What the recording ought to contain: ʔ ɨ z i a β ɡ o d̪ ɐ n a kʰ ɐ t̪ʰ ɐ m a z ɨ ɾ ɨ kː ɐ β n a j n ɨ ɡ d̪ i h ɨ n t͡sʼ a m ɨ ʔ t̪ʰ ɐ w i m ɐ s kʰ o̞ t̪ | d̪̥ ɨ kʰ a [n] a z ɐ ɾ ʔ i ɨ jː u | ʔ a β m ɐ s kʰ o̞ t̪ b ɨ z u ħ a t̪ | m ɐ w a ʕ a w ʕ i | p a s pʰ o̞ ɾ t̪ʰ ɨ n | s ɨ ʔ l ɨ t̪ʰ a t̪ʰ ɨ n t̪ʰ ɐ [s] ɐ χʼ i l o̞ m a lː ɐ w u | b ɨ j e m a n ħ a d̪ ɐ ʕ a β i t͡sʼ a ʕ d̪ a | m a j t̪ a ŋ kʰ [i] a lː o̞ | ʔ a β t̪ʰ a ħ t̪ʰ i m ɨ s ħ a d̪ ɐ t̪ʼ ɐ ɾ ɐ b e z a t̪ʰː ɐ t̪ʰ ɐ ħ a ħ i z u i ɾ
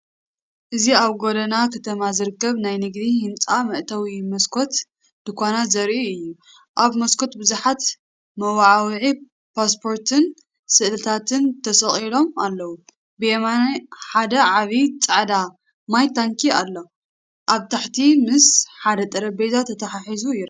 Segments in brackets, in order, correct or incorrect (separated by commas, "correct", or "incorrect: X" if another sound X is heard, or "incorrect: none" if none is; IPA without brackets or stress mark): correct, correct, correct